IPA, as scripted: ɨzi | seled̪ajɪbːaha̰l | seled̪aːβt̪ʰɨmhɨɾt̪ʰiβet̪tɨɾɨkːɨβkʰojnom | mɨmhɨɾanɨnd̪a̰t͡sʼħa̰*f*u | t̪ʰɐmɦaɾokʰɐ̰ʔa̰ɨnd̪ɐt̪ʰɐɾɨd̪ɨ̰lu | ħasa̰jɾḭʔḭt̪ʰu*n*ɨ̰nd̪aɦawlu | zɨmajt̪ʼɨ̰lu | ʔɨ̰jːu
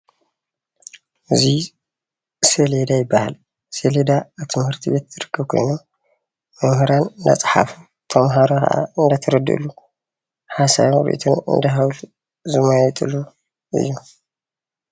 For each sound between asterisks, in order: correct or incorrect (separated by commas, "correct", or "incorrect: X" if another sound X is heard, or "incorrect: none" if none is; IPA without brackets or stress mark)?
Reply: correct, correct